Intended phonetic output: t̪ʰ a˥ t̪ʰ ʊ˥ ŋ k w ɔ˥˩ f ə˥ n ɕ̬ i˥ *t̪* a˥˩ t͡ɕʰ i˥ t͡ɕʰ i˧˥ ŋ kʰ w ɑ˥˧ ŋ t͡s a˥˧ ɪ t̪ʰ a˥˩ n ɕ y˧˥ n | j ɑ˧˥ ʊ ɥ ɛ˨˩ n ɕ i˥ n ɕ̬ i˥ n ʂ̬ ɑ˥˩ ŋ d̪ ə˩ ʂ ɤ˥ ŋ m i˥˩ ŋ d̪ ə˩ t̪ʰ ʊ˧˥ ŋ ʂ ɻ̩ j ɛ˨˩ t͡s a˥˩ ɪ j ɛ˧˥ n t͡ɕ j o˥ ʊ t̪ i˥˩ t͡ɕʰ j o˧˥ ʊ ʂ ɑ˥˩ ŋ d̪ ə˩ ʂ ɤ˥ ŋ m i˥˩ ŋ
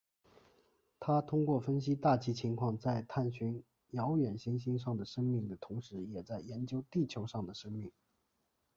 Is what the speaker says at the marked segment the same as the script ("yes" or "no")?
yes